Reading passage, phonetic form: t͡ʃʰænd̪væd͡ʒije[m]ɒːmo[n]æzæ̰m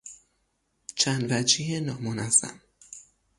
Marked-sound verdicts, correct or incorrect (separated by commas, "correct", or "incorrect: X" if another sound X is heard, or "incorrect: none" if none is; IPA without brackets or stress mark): incorrect: n, correct